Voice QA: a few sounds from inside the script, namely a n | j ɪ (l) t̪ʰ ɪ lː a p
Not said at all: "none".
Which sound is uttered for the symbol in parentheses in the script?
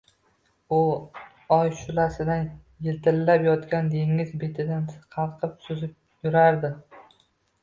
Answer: l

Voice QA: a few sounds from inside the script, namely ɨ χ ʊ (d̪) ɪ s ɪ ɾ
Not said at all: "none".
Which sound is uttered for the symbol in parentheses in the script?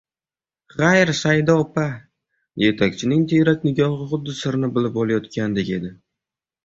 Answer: d̪ː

